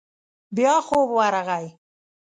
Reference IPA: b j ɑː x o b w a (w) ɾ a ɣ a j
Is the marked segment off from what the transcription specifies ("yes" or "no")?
yes